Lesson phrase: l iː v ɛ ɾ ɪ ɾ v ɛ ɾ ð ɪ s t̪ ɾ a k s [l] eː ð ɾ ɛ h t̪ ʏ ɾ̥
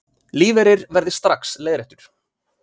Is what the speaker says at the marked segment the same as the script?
yes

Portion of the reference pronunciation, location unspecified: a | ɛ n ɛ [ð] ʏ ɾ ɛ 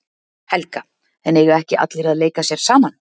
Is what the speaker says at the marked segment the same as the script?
no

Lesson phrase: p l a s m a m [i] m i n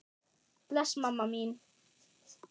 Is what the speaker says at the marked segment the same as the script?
no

